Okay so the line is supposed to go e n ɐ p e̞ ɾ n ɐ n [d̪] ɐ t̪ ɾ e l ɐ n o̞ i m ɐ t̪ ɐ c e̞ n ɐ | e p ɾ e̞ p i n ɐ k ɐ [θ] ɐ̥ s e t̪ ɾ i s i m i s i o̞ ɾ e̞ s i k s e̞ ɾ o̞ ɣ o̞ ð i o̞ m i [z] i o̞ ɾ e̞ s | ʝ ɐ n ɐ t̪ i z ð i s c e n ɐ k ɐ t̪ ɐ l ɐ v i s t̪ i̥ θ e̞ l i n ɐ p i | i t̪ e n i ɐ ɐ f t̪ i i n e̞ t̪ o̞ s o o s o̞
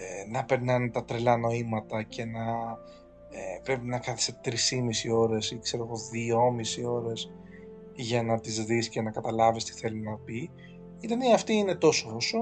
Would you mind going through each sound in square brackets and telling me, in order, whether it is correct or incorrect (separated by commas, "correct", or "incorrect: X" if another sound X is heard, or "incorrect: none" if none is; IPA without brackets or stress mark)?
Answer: incorrect: t̪, correct, incorrect: s